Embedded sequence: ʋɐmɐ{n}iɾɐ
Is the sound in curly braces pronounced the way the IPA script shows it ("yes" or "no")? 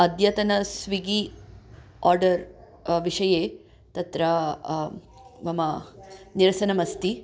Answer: yes